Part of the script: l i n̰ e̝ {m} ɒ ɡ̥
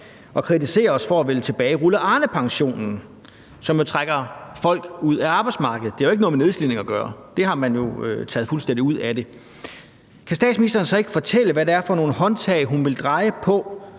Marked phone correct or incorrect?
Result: incorrect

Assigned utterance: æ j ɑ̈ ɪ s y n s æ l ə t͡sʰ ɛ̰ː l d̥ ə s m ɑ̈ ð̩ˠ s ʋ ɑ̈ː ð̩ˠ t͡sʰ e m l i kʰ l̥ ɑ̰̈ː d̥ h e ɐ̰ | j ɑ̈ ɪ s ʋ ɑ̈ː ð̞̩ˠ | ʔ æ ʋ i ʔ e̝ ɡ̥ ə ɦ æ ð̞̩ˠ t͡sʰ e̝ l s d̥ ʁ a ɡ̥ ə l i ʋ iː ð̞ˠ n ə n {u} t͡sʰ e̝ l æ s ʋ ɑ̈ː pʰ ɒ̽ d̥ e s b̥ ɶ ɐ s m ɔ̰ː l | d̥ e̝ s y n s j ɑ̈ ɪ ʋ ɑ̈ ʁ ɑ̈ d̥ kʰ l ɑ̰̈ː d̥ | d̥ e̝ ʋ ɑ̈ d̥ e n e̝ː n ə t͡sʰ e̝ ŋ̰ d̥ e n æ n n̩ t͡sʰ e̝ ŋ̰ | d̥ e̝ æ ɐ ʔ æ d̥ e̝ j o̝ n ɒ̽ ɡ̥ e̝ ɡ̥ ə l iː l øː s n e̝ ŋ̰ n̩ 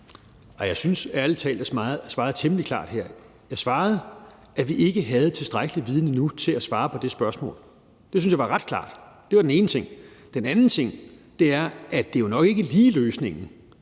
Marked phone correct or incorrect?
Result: correct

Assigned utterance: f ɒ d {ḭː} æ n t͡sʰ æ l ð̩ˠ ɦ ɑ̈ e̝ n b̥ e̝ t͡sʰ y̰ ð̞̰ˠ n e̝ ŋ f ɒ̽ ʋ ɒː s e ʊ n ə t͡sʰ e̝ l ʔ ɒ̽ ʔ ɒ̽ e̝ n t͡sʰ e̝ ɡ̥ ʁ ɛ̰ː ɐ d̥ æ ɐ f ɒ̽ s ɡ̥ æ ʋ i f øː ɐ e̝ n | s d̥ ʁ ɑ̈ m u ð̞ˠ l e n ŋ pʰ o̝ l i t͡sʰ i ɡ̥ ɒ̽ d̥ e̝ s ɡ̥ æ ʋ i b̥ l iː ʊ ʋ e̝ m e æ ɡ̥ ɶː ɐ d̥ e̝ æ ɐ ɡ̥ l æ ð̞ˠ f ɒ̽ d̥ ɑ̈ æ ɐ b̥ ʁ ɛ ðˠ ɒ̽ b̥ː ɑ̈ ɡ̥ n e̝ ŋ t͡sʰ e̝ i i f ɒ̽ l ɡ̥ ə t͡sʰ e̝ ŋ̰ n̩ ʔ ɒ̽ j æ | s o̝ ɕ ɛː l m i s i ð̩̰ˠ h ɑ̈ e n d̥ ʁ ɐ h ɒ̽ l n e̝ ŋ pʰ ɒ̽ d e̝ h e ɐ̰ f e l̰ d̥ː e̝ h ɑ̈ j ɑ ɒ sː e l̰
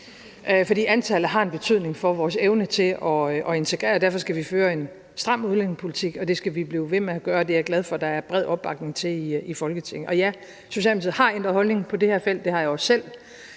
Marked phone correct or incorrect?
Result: correct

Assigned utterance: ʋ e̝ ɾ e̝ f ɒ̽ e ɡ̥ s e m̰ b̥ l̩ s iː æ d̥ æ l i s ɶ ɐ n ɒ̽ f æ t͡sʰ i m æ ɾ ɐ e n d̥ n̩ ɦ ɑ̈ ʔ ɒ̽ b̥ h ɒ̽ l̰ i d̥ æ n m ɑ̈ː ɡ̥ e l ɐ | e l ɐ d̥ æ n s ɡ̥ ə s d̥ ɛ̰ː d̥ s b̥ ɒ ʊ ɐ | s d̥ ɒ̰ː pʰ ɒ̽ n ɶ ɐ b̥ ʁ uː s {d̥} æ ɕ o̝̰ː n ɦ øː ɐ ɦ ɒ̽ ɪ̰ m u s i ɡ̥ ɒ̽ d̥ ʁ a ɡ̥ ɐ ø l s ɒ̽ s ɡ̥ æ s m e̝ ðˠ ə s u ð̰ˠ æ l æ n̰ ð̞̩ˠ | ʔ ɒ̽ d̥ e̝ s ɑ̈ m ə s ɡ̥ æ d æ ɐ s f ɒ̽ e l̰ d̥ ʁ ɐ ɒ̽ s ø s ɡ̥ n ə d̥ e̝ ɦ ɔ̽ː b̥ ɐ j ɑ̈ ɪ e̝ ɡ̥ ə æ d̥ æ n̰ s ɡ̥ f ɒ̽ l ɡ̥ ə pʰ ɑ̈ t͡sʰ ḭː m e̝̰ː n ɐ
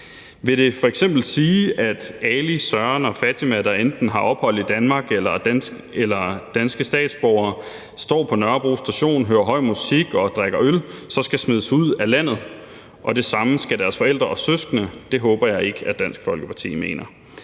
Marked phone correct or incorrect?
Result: correct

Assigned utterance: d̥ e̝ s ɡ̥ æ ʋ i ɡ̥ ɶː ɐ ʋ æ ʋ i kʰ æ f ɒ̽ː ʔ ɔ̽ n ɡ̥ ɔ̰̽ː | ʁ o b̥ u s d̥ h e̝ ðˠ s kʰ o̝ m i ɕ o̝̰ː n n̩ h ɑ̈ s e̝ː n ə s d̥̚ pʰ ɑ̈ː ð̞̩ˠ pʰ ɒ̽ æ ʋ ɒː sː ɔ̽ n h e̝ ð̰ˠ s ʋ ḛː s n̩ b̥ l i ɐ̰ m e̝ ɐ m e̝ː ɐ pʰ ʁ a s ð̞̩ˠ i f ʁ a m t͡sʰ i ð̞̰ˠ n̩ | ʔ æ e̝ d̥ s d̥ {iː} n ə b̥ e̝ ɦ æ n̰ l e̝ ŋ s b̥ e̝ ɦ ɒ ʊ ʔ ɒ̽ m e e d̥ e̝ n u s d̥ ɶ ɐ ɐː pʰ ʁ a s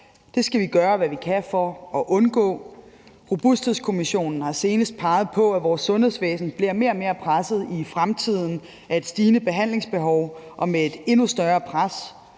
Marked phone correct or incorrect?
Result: correct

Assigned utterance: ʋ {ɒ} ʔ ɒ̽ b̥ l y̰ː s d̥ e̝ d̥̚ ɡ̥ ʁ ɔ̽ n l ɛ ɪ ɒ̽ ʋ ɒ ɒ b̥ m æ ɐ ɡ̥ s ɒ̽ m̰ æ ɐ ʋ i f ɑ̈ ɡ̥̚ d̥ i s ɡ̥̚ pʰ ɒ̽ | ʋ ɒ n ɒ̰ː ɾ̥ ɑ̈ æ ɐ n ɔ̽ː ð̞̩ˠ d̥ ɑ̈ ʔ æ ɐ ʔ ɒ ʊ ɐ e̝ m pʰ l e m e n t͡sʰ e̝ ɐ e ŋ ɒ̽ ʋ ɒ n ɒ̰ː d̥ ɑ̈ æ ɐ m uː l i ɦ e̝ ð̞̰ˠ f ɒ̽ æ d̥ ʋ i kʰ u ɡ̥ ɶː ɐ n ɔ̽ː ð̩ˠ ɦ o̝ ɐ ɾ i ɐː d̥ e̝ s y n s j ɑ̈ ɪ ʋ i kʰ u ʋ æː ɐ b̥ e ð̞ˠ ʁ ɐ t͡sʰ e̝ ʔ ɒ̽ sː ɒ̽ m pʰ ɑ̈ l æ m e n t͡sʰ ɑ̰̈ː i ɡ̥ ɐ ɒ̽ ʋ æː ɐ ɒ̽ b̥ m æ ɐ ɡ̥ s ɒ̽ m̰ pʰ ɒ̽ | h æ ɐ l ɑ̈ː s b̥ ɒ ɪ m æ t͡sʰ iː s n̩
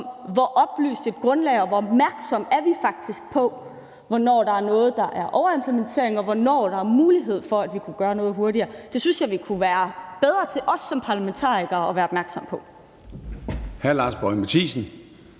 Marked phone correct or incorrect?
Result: correct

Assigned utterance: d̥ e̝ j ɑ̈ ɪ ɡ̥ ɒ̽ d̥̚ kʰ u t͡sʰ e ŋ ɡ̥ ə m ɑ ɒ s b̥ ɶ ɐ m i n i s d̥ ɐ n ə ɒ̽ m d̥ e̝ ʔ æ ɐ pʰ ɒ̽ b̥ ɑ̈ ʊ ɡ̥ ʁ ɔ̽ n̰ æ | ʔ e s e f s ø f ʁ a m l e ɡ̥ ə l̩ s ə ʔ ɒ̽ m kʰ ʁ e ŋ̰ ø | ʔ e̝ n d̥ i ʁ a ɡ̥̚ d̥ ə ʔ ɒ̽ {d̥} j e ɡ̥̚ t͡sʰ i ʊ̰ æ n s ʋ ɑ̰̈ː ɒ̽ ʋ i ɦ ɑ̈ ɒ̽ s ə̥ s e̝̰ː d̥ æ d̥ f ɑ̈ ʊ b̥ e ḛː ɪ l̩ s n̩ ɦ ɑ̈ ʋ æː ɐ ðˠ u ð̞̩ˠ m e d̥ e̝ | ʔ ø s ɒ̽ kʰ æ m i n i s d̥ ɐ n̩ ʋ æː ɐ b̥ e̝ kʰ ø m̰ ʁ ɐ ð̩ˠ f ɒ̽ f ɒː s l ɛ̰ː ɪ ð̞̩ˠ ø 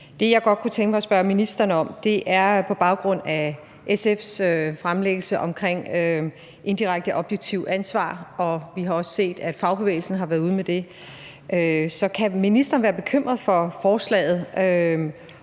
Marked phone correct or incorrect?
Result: incorrect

